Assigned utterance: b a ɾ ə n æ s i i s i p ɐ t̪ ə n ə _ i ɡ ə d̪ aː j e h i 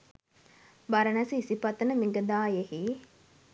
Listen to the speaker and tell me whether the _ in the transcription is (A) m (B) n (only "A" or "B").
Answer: A